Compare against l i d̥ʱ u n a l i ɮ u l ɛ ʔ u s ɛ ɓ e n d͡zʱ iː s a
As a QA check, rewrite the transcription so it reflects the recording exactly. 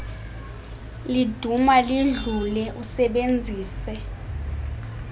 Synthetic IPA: l i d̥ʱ u m a l i ɮ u l ɛ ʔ u s ɛ ɓ e n d͡zʱ iː s ɛ